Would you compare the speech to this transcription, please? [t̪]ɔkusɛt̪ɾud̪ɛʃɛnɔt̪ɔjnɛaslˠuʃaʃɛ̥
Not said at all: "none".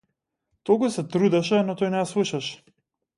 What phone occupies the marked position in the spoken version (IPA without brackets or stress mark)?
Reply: t̪